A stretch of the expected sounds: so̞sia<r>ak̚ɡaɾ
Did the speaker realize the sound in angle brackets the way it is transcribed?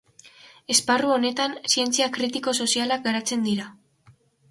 no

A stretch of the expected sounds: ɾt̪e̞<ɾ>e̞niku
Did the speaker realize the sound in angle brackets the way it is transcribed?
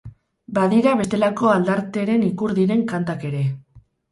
yes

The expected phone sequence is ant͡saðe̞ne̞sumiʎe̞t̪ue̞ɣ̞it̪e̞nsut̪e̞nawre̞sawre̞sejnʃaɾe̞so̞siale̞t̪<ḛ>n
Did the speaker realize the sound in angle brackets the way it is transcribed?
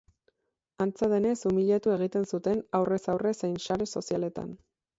no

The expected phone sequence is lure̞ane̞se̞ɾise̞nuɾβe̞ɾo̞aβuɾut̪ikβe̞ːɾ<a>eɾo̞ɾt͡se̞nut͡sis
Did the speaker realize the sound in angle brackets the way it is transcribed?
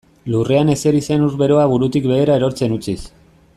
yes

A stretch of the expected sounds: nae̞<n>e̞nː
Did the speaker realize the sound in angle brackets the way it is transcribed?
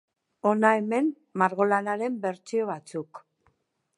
no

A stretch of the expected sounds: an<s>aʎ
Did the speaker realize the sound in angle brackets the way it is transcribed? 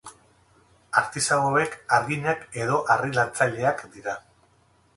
no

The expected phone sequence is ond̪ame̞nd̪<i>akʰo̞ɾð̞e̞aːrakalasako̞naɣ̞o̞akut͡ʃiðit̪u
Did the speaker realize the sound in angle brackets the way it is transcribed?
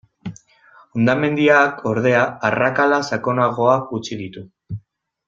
yes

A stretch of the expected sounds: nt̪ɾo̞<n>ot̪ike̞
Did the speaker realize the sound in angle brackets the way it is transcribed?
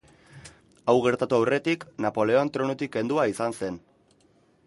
yes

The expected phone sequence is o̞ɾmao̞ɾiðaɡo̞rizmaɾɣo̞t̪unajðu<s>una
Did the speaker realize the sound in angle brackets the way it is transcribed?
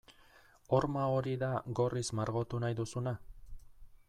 yes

